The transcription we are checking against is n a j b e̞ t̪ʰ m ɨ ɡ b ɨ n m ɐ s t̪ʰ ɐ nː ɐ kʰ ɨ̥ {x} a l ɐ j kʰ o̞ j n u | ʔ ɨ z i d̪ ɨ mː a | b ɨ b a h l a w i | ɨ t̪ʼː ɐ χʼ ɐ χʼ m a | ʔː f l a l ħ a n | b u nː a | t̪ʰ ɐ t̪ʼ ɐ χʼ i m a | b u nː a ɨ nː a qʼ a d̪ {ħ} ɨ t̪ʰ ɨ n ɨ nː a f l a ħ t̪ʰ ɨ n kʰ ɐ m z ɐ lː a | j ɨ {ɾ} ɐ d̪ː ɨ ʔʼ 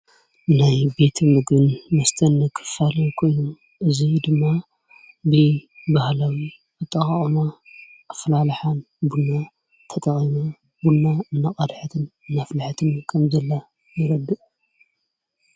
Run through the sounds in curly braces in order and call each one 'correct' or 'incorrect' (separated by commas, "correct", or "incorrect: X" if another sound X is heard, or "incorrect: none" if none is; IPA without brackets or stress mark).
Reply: incorrect: f, correct, correct